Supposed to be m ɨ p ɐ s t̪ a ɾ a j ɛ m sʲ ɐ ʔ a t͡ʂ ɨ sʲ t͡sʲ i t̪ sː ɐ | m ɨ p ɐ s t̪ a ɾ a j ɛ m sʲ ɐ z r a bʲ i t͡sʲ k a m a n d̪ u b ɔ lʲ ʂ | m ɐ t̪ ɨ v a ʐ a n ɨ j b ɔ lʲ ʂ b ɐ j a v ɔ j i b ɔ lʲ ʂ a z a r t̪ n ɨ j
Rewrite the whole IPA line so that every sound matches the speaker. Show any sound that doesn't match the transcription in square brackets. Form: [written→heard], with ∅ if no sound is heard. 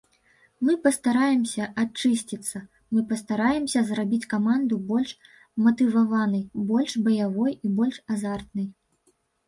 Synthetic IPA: m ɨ p ɐ s t̪ a ɾ a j ɛ m sʲ ɐ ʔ a t͡ʂ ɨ sʲ t͡sʲ i t̪ sː ɐ | m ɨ p ɐ s t̪ a ɾ a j ɛ m sʲ ɐ z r a bʲ i t͡sʲ k a m a n d̪ u b ɔ lʲ ʂ | m ɐ t̪ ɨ v a [ʐ→v] a n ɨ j b ɔ lʲ ʂ b ɐ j a v ɔ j i b ɔ lʲ ʂ a z a r t̪ n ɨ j